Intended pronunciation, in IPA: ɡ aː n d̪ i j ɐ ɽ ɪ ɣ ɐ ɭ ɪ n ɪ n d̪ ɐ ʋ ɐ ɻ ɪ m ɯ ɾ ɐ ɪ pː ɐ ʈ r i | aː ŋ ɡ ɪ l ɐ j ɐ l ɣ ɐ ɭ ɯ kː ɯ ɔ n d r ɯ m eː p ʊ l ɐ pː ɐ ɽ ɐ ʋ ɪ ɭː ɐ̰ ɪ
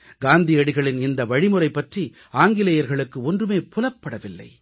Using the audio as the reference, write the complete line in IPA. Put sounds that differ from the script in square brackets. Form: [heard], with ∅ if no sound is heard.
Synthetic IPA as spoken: ɡ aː n d̪ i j ɐ ɽ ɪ ɣ ɐ ɭ ɪ n ɪ n d̪ ɐ ʋ ɐ ɻ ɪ m ɯ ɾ ɐ ɪ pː ɐ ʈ r i | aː ŋ ɡ ɪ l ɐ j ɐ [ɾ] ɣ ɐ ɭ ɯ kː ɯ ɔ n d r ɯ m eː p ʊ l ɐ pː ɐ ɽ ɐ ʋ ɪ [lː] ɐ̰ ɪ

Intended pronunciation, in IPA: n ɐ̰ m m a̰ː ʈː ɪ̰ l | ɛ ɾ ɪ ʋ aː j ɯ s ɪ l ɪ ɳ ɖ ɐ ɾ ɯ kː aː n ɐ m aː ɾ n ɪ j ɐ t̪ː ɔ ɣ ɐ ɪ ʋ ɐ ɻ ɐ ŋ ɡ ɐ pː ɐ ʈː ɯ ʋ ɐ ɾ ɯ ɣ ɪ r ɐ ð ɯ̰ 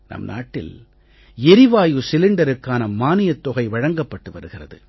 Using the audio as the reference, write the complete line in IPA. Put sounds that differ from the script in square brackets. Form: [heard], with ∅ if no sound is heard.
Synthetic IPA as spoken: n ɐ̰ m [n] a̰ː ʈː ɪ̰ l | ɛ ɾ ɪ ʋ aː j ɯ s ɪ l ɪ ɳ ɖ ɐ ɾ ɯ kː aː n ɐ m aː [∅] n ɪ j ɐ t̪ː ɔ ɣ ɐ ɪ ʋ ɐ ɻ ɐ ŋ ɡ ɐ pː ɐ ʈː ɯ ʋ ɐ ɾ ɯ ɣ ɪ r ɐ ð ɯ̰

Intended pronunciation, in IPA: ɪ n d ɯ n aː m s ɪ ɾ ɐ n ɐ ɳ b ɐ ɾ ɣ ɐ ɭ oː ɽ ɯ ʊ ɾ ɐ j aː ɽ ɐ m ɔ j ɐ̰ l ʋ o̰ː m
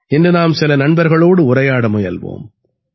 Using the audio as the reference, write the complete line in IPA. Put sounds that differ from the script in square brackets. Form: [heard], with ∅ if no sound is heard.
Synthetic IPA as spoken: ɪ n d ɯ n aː m s ɪ [l] ɐ n ɐ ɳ b ɐ ɾ ɣ ɐ ɭ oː ɽ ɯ ʊ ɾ ɐ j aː ɽ ɐ m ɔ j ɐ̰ l ʋ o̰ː m

